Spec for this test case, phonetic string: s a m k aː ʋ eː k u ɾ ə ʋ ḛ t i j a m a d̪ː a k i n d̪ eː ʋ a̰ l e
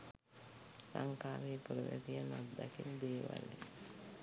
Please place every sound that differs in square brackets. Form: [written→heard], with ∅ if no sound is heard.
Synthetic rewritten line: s a [m→ŋ] k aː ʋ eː [k→p] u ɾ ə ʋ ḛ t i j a [m→n] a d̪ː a k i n d̪ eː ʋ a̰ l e